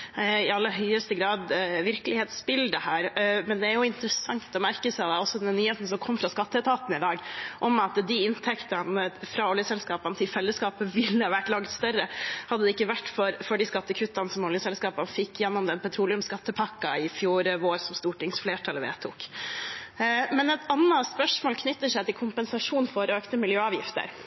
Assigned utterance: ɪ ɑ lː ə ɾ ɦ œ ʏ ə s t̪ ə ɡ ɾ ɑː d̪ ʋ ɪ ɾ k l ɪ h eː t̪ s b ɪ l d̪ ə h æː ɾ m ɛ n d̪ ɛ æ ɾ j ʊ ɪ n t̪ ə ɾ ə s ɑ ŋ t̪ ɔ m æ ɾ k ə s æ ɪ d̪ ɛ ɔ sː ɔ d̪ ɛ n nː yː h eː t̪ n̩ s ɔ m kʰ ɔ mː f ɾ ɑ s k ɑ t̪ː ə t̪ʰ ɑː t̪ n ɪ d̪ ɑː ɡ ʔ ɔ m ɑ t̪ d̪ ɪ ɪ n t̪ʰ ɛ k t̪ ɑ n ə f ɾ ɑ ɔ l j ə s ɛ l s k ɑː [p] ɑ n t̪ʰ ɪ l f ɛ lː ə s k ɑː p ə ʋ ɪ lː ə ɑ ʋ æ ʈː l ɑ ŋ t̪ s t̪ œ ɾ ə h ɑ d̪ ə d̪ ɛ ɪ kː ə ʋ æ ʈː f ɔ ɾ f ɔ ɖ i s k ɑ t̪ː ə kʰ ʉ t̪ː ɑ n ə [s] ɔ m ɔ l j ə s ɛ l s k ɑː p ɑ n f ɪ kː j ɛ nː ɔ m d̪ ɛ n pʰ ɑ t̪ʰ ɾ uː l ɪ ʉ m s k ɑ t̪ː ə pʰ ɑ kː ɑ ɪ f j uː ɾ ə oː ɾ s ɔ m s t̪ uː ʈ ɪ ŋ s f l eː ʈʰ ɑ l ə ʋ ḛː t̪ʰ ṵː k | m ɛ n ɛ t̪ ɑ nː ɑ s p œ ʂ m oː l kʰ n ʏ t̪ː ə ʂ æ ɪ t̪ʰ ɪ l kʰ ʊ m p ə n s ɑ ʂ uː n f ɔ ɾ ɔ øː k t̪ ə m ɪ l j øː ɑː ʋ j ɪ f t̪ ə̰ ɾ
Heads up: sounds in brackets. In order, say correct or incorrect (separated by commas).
correct, correct